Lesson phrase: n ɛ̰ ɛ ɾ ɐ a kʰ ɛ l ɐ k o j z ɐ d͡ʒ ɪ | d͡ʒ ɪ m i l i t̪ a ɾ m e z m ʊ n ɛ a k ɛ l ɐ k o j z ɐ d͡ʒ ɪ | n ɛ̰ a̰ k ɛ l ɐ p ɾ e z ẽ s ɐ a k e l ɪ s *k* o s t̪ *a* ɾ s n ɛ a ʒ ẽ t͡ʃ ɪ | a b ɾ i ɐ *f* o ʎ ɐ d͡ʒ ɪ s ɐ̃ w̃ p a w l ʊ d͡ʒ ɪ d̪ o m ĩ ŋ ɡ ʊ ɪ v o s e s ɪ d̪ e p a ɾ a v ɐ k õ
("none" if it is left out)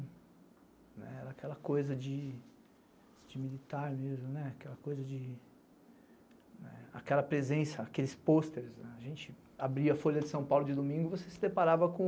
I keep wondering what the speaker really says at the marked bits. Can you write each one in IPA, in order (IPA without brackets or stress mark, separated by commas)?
p, e, f